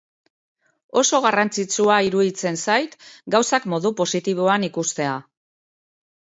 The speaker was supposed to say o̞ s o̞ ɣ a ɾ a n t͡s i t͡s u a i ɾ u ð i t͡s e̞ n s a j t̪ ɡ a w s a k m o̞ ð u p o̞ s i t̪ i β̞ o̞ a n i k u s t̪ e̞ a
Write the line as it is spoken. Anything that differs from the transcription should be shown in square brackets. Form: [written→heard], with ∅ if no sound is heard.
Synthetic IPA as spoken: o̞ s o̞ ɣ a [ɾ→r] a n t͡s i t͡s u a i ɾ u ð i t͡s e̞ n s a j t̪ ɡ a w s a k m o̞ ð u p o̞ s i t̪ i β̞ o̞ a n i k u s t̪ e̞ a